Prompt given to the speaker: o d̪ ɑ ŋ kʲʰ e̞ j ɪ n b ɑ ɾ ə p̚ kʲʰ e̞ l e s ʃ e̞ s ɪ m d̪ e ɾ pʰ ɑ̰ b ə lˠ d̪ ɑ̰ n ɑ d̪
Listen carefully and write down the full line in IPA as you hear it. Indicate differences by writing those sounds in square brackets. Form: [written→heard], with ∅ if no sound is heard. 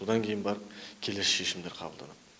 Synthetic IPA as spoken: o d̪ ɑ ŋ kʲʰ e̞ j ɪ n b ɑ ɾ ə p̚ kʲʰ e̞ l e s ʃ e̞ [s→ʃ] ɪ m d̪ e ɾ [pʰ→qʰ] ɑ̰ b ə lˠ d̪ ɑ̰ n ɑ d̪